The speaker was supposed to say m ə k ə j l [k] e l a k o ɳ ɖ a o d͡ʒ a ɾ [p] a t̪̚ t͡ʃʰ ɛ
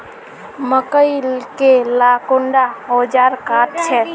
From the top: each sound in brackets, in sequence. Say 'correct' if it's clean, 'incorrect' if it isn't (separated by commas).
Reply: correct, incorrect